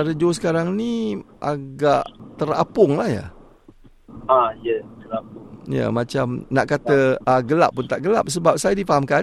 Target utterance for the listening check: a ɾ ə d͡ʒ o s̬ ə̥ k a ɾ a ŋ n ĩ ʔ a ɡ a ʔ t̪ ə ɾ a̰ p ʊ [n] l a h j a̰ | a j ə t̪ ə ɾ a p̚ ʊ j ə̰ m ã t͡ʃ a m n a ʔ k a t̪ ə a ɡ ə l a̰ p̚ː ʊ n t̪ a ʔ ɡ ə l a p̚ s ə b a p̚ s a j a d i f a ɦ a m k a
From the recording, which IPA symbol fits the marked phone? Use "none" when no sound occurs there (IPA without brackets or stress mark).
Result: ŋ